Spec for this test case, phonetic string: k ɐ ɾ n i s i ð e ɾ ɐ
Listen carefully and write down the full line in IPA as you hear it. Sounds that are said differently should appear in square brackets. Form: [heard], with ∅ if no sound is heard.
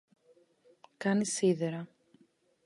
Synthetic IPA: k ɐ [∅] n i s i ð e ɾ ɐ